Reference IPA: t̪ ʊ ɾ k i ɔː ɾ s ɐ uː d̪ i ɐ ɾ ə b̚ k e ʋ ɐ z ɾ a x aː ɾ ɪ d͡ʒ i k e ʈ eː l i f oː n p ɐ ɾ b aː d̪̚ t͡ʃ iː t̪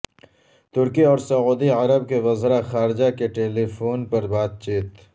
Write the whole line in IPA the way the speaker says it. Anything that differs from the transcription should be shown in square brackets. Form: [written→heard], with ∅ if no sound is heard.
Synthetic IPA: t̪ ʊ ɾ k i ɔː ɾ s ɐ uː d̪ i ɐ ɾ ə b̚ k e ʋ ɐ z ɾ a x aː ɾ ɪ d͡ʒ [i→a] k e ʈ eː l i f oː n p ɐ ɾ b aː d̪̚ t͡ʃ iː t̪